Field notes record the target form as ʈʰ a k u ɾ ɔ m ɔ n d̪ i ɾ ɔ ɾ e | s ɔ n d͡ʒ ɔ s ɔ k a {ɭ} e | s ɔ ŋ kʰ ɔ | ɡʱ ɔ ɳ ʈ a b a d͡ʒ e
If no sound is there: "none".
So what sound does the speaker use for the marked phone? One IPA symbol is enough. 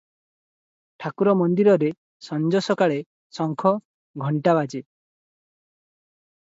ɭ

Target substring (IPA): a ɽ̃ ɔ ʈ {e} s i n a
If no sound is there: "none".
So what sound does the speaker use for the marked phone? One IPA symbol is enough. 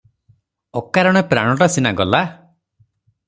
a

